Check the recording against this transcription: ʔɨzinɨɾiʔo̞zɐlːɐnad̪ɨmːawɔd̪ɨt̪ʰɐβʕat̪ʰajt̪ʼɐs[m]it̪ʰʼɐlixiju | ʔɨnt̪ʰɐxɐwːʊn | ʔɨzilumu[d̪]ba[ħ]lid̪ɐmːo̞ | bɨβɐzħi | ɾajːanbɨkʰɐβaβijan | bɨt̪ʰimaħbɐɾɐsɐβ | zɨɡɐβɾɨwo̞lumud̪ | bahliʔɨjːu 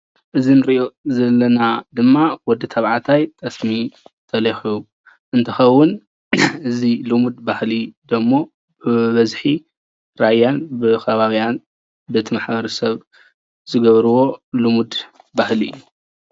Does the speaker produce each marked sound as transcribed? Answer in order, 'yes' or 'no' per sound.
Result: yes, yes, no

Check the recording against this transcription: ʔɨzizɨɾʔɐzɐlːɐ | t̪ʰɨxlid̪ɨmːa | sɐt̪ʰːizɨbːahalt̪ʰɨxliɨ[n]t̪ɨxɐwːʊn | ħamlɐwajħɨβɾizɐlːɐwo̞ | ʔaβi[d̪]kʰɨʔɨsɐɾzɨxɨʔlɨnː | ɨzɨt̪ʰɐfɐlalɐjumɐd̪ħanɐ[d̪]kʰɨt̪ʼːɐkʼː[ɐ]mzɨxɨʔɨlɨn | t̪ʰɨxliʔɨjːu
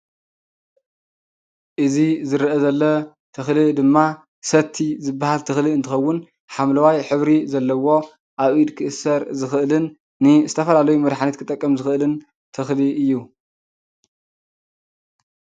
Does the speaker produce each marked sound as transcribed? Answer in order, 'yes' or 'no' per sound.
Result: yes, yes, no, yes

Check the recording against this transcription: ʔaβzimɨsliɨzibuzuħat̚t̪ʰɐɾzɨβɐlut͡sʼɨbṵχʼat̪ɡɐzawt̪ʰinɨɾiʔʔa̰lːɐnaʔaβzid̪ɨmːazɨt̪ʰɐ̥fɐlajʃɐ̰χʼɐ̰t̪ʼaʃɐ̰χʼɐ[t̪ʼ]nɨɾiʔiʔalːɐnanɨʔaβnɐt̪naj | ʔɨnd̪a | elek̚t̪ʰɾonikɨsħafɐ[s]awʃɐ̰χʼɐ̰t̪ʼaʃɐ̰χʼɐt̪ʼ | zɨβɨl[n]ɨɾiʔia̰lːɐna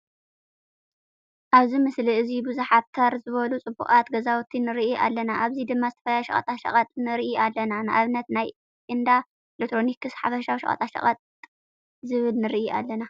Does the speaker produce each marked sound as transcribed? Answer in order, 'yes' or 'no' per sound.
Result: yes, no, yes

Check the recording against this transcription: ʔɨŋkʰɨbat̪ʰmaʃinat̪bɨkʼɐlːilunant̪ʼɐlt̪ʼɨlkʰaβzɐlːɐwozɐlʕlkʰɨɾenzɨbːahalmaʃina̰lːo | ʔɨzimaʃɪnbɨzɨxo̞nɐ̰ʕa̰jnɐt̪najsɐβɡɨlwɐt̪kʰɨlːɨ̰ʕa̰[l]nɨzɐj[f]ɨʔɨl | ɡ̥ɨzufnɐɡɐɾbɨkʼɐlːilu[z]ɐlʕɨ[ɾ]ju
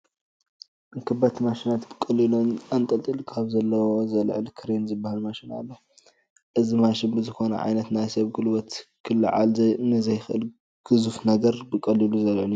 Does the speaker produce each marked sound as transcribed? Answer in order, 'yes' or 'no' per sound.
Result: yes, no, yes, no

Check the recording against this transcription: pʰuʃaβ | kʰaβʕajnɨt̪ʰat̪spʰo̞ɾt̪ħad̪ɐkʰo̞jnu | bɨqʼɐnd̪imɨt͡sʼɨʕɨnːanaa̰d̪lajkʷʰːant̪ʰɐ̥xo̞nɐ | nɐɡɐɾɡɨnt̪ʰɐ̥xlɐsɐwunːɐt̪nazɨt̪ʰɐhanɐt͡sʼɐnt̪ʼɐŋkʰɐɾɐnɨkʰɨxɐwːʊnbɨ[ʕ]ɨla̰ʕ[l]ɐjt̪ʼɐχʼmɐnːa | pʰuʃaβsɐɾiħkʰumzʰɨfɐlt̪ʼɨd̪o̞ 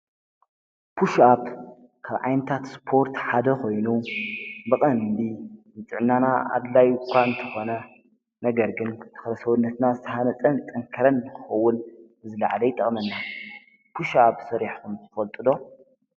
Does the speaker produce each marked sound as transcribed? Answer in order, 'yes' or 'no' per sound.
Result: no, yes

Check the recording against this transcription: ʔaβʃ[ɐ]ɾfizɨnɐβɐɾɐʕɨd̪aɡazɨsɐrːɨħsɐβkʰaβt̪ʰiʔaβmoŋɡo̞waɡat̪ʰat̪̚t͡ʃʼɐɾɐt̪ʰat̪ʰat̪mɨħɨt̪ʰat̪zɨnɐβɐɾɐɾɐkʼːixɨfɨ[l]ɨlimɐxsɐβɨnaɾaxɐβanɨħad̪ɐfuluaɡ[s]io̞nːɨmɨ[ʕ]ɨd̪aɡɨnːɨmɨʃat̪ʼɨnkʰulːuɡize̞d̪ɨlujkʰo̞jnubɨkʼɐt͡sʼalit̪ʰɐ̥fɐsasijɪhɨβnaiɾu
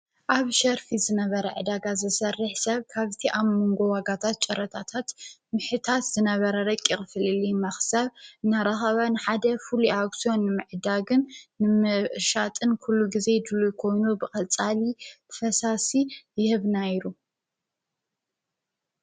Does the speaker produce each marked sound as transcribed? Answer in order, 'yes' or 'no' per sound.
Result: yes, yes, yes, yes

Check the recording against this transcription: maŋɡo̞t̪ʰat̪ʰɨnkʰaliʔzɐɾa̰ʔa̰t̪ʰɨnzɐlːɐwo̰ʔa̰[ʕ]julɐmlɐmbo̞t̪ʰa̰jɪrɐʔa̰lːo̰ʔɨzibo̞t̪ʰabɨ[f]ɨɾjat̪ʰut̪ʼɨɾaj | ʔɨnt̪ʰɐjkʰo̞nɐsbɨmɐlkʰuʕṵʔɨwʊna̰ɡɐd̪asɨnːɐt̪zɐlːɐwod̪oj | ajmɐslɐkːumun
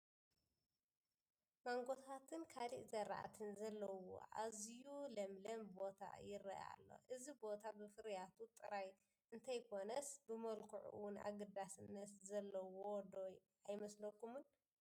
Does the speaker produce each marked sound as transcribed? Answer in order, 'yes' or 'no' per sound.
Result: no, yes

